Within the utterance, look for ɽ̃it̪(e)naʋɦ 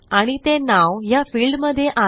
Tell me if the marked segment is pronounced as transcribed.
yes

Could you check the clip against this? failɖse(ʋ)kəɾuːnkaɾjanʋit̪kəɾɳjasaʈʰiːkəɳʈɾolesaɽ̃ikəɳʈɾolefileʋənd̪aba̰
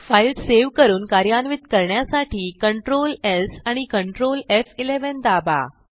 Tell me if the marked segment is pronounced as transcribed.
yes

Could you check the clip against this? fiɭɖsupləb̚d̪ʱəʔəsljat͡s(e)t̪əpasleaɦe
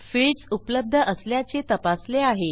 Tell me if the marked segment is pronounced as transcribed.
yes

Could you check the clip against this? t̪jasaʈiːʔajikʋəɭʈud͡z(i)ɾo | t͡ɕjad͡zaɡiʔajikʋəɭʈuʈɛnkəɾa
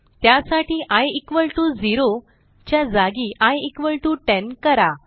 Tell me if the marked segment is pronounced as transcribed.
yes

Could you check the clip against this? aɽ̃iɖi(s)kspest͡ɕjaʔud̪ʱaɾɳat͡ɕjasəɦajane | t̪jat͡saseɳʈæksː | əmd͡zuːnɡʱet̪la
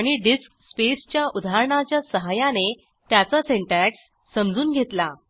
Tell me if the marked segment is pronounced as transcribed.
yes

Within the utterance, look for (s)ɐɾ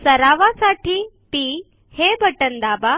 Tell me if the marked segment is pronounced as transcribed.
yes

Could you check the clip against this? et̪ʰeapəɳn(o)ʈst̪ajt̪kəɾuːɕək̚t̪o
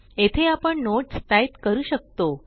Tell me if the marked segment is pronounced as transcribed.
yes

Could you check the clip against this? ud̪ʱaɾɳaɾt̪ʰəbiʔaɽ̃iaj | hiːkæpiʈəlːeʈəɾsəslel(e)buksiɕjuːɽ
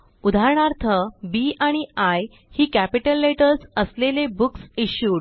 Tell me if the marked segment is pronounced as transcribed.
yes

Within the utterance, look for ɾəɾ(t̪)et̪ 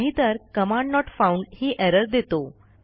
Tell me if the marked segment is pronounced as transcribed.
no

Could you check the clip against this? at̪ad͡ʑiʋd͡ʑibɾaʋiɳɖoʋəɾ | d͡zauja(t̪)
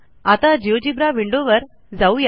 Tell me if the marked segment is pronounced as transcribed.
no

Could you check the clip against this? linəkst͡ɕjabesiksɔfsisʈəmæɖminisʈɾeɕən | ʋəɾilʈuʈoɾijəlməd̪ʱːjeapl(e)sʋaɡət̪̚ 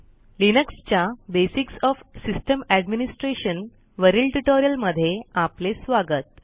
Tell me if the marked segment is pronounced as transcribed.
yes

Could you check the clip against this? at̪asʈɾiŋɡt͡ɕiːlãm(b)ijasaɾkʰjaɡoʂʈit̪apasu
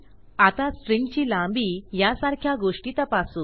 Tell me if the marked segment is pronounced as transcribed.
yes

